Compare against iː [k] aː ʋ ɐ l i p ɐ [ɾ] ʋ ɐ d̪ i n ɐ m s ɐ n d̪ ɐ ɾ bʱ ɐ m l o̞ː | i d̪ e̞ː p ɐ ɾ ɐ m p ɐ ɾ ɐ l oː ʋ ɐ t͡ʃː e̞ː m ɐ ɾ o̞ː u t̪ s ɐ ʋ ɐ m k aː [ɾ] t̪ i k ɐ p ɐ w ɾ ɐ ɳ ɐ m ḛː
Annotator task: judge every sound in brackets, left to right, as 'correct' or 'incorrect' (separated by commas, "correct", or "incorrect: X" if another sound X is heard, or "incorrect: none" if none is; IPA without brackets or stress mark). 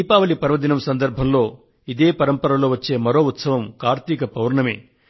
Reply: incorrect: p, correct, correct